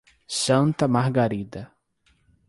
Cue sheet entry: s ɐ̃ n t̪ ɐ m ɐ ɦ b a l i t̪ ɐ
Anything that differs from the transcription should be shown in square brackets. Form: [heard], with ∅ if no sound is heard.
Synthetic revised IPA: s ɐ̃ n t̪ ɐ m [a] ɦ [ɡ] a [ɾ] i [d̪] ɐ